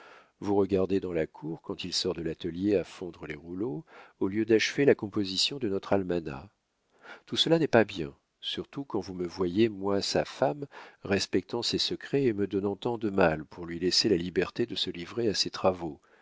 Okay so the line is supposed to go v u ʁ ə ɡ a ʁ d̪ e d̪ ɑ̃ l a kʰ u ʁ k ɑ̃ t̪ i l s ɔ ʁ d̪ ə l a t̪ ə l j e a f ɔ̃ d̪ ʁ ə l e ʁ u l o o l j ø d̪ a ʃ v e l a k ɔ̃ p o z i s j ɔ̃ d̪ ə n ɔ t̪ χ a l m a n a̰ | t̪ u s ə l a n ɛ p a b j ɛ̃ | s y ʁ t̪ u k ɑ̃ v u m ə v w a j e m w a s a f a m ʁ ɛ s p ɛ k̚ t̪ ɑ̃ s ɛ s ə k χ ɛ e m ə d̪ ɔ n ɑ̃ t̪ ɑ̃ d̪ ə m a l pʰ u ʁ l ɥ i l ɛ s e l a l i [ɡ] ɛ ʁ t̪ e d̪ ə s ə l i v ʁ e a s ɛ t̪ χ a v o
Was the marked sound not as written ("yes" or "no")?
yes